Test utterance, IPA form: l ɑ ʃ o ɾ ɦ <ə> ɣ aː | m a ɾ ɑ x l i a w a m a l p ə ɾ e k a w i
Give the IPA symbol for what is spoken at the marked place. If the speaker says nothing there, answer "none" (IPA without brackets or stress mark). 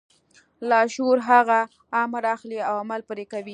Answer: a